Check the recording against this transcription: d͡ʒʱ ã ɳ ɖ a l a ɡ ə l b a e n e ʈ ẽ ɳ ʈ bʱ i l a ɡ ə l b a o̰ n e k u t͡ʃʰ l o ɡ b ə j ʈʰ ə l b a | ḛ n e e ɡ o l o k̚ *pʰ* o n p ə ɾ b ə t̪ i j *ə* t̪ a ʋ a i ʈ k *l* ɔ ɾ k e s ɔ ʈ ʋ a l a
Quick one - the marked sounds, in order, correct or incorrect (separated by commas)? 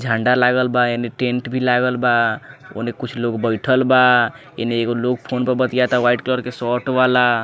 correct, incorrect, correct